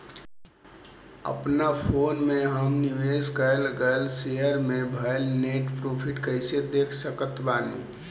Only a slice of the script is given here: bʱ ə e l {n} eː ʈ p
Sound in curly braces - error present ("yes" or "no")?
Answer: no